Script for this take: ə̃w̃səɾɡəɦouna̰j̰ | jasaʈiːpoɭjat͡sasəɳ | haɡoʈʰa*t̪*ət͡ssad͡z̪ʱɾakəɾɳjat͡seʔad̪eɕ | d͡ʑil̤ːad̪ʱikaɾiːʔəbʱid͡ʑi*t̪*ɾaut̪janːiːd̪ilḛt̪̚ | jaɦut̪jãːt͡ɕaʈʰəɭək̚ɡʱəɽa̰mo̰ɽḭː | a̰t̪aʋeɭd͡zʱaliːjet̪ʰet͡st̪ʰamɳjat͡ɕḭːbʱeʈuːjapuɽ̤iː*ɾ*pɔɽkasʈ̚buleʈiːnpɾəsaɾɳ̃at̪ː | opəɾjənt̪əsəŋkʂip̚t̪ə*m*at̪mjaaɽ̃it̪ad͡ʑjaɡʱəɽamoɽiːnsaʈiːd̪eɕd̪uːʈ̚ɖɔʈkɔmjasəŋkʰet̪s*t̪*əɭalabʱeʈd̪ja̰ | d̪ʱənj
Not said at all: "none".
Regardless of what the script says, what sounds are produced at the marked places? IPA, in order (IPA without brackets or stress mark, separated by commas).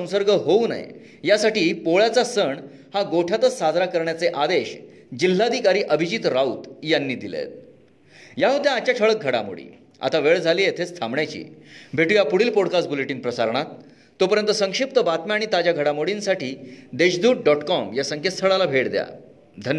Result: t̪, t̪, l, b, t̪ʰ